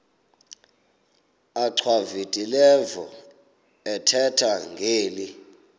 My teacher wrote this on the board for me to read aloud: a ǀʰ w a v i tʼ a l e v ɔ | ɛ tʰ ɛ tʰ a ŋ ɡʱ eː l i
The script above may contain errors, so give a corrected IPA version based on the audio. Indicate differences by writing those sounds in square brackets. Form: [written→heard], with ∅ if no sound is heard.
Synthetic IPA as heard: a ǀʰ w a v i tʼ [a→i] l [e→ɛ] v ɔ | ɛ tʰ ɛ tʰ a ŋ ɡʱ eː l i